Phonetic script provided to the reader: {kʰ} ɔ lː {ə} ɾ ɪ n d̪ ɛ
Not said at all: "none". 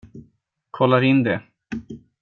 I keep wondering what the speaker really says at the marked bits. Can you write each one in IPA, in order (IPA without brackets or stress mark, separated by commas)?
kʰ, a